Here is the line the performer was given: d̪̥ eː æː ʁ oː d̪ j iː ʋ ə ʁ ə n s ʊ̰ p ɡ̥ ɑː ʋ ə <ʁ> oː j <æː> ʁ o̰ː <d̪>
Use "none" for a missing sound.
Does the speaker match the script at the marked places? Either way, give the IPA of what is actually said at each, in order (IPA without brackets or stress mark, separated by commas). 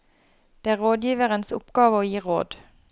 none, iː, d̪